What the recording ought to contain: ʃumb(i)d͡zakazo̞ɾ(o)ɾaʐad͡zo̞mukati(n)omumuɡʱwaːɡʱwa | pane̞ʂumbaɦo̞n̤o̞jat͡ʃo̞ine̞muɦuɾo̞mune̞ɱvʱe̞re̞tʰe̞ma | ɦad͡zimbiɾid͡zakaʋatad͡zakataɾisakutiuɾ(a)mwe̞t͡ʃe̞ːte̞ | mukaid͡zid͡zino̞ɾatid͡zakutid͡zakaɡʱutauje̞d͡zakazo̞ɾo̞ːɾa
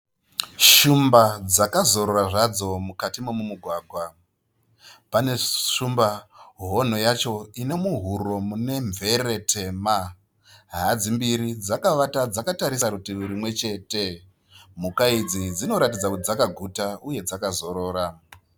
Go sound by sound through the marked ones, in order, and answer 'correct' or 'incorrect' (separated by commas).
incorrect, correct, incorrect, incorrect